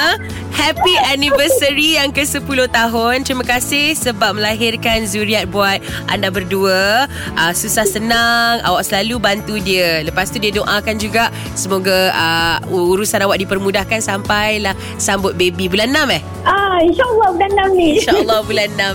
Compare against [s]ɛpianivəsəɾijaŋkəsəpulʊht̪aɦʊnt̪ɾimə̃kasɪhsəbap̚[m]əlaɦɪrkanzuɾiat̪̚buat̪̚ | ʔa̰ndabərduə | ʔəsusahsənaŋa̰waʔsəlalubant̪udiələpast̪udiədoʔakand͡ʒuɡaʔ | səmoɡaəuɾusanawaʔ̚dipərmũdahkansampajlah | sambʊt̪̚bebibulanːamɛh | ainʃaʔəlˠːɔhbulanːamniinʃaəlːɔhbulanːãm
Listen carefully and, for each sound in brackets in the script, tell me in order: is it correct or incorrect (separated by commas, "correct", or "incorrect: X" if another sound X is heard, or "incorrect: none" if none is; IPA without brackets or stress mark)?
incorrect: h, correct